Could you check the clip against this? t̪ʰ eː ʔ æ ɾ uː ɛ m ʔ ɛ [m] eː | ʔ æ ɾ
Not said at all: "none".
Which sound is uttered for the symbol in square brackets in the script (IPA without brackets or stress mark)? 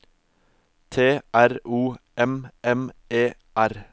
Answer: m